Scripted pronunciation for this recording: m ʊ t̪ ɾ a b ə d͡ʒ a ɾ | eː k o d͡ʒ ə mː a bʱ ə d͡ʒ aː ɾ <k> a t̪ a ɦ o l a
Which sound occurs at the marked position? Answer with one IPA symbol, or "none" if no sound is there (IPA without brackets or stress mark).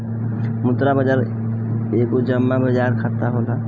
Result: kʰ